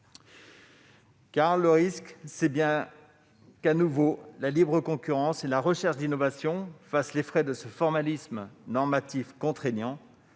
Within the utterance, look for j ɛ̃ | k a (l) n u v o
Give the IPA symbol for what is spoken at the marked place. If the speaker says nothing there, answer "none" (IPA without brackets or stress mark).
none